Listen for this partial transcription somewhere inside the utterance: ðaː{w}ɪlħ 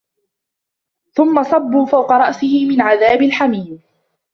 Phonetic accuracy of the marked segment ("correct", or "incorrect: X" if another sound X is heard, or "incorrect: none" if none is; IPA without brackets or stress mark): incorrect: b